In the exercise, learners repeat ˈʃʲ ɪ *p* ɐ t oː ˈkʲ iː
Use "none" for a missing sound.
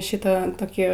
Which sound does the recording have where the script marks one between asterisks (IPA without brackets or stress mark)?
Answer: t